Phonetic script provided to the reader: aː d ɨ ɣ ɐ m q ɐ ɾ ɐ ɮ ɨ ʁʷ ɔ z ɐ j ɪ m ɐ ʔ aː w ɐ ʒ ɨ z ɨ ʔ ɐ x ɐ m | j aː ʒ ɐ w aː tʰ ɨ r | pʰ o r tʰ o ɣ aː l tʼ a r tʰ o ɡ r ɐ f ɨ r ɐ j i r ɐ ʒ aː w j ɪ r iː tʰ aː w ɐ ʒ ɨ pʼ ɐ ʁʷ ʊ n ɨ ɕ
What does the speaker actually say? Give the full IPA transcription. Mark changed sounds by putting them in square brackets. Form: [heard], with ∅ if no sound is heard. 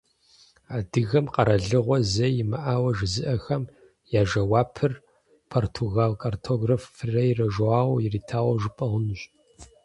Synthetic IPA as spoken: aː d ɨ ɣ ɐ m q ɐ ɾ ɐ ɮ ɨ ʁʷ ɔ z ɐ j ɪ m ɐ ʔ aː w ɐ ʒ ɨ z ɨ ʔ ɐ x ɐ m | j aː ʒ ɐ w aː [pʰ] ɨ r | pʰ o r tʰ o ɣ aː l [kʼ] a r tʰ o ɡ r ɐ f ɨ r ɐ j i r ɐ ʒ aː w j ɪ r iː tʰ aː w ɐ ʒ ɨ pʼ ɐ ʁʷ ʊ n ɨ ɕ